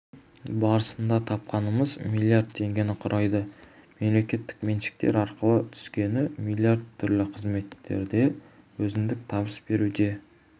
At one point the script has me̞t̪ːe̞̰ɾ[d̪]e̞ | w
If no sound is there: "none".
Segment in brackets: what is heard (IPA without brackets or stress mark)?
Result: d̪